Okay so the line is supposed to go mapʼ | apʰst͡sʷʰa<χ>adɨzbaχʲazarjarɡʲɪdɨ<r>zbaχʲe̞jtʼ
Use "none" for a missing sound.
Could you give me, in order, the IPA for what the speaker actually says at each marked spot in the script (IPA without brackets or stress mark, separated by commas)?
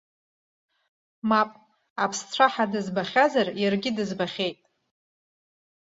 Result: ħ, none